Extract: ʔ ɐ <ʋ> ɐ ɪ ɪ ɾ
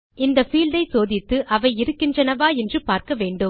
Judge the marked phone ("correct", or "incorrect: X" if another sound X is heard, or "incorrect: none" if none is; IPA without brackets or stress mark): correct